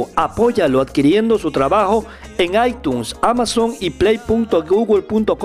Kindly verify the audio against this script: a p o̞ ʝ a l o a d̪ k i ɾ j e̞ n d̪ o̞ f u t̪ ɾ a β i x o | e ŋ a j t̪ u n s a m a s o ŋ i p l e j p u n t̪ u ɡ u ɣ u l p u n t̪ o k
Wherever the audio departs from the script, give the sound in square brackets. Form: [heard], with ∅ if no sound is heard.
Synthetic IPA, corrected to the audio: a p o̞ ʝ a l o a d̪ k i ɾ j e̞ n d̪ o̞ [s] u t̪ ɾ a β [a] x o | e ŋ a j t̪ u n s a m a s o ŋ i p l e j p u n t̪ [o] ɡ u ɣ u l p u n t̪ o k